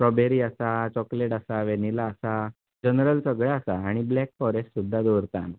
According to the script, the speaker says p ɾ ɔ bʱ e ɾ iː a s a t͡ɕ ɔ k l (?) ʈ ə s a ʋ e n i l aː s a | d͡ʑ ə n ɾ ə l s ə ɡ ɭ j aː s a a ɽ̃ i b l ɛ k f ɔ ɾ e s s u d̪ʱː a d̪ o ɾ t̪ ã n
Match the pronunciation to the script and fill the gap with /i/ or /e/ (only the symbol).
e